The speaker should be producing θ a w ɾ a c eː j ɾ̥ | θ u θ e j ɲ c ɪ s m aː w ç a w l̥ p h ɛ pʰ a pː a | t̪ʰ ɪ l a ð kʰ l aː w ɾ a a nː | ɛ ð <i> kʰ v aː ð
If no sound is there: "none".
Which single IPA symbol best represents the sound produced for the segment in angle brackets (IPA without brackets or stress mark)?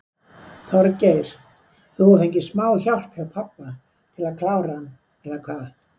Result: a